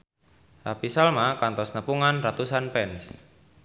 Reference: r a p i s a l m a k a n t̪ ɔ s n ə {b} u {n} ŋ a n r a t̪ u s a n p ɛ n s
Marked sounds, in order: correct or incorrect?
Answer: incorrect: p, incorrect: none

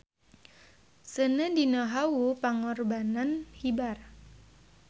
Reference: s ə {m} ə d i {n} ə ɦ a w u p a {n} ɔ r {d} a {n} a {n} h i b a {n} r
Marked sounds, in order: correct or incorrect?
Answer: incorrect: n, correct, incorrect: ŋ, incorrect: b, correct, correct, incorrect: none

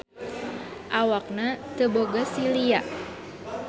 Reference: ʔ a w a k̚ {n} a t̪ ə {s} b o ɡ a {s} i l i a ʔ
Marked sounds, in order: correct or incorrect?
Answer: correct, incorrect: none, correct

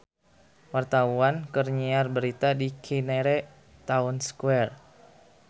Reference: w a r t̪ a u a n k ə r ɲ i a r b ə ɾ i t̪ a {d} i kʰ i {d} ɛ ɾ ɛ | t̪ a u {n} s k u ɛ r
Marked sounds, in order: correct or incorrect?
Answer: correct, incorrect: n, correct

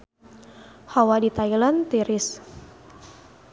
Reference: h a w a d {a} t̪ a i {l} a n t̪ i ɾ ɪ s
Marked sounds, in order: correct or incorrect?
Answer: incorrect: i, correct

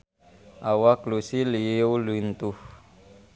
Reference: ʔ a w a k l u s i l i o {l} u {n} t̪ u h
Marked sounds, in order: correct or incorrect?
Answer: correct, correct

